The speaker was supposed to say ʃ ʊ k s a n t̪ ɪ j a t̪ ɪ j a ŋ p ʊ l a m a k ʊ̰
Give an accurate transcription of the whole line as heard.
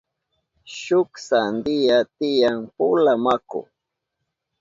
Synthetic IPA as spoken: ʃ ʊ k s a n d̪ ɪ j a t̪ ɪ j a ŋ p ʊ l a m a k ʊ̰

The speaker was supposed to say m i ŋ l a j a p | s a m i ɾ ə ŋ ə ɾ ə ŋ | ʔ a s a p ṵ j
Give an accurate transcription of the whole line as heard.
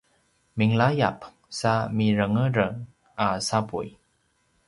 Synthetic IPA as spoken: m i ŋ l a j a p | s a m i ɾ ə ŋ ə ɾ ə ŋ | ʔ a s a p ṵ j

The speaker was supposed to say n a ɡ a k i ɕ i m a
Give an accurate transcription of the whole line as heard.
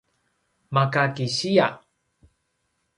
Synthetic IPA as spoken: m a k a k i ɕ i a

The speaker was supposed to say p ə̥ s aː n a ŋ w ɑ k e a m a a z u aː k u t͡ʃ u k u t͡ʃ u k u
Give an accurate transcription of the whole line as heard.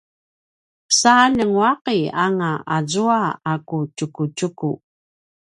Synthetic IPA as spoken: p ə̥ s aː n ə ŋ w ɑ q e a ŋ a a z u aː k u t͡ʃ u k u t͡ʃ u k u

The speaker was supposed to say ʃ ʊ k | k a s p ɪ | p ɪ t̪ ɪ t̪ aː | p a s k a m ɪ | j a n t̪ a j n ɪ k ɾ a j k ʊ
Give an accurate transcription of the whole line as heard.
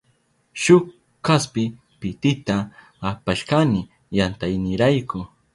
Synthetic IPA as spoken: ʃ ʊ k | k a s p ɪ | p ɪ t̪ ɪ t̪ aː | p a ʃ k a n ɪ | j a n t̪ a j n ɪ ɾ a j k ʊ

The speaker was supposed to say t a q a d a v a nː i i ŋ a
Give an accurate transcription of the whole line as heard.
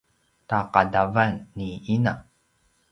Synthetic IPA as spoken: t a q a d a v a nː i i n a

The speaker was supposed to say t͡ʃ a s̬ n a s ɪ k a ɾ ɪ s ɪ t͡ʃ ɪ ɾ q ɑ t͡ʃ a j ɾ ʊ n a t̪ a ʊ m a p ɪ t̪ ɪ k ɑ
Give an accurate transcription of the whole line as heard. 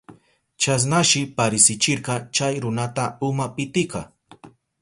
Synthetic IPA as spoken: t͡ʃ a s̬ n a ʃ ɪ p a ɾ ɪ s ɪ t͡ʃ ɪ ɾ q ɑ t͡ʃ a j ɾ ʊ n a t̪ a ʊ m a p ɪ t̪ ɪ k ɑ

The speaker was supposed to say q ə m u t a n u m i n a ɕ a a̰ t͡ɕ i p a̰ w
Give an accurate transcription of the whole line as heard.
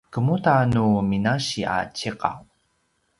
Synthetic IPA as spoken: k ə m u t a n u m i n a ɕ i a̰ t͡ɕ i q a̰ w

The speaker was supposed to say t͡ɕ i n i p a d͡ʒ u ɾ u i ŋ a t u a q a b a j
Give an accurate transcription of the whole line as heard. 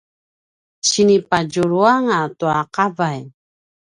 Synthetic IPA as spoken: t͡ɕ i n i p a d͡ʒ u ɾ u a ŋ a t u a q a v a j

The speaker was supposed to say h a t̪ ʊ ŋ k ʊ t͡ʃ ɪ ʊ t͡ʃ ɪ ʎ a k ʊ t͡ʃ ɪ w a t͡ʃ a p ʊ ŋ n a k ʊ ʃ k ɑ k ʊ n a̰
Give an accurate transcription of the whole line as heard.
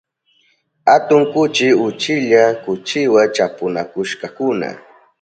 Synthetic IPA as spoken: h a t̪ ʊ ŋ k ʊ t͡ʃ ɪ ʊ t͡ʃ ɪ ʎ a k ʊ t͡ʃ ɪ w a t͡ʃ a p ʊ n a k ʊ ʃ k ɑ k ʊ n a̰

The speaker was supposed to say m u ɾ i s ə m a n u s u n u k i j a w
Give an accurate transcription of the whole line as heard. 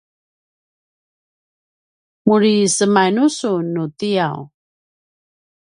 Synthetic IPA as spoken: m u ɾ i s ə m a n u s u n u t i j a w

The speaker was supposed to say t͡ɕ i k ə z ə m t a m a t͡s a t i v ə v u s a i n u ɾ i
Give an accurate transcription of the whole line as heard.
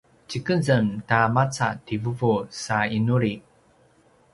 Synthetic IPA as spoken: t͡ɕ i k ə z ə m t a m a t͡s a t i v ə v u s a i n u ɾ i

